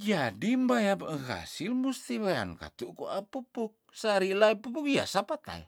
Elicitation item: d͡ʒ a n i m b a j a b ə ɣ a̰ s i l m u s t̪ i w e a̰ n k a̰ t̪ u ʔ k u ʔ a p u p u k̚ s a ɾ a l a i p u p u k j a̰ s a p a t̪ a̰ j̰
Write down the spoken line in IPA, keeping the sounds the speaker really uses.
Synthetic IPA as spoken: d͡ʒ a d i m b a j a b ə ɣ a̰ s i l m u s t̪ i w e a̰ n k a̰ t̪ u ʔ k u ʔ a p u p u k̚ s a ɾ i l a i p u p u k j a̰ s a p a t̪ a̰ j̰